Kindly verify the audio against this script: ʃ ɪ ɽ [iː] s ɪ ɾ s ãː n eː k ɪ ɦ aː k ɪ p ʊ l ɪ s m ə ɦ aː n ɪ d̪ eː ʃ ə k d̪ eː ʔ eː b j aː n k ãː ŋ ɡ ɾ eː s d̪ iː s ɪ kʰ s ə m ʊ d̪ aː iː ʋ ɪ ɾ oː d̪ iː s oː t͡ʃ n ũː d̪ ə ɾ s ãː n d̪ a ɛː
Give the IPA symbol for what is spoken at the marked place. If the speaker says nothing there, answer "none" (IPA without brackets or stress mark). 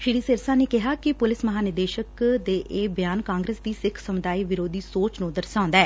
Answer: iː